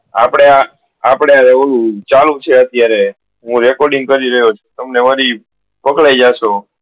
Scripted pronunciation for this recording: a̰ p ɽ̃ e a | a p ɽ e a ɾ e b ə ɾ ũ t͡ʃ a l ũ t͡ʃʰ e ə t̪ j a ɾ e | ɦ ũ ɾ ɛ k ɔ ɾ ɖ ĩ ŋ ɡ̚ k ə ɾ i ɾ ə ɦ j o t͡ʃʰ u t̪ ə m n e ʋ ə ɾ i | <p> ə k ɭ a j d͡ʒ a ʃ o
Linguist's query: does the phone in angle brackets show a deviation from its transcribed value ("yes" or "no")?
no